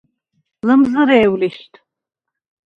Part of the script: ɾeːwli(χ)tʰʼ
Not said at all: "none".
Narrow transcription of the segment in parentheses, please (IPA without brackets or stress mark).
ʃ